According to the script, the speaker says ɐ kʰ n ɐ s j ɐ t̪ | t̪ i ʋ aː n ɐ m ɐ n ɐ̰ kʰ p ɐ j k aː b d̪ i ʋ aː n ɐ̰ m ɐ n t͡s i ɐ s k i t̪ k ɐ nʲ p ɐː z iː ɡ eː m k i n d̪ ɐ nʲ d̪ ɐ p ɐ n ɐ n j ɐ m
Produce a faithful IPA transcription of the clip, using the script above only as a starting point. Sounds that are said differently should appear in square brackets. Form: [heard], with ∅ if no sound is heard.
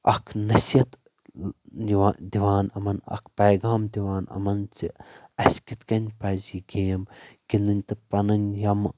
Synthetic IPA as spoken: ɐ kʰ n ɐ s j ɐ t̪ | [d̪] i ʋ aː n ɐ m ɐ n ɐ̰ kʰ p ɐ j [ɡ] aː [m] d̪ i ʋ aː n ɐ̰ m ɐ n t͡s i ɐ s k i t̪ k ɐ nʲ p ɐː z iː ɡ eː m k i n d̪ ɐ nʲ [t̪] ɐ p ɐ n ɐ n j ɐ m